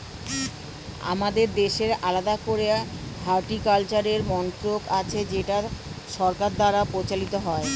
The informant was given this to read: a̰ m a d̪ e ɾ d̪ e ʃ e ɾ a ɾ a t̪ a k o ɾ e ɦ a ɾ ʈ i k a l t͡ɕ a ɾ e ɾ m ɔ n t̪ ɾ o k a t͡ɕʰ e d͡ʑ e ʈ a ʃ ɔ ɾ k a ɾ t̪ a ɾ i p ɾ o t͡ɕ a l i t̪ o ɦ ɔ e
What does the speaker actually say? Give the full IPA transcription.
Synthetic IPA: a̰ m a d̪ e ɾ d̪ e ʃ e ɾ a l a d̪ a k o ɾ e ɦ a ɾ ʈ i k a l t͡ɕ a ɾ e ɾ m ɔ n t̪ ɾ o k a t͡ɕʰ e d͡ʑ e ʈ a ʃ ɔ ɾ k a ɾ d̪ a ɾ a p ɾ o t͡ɕ a l i t̪ o ɦ ɔ e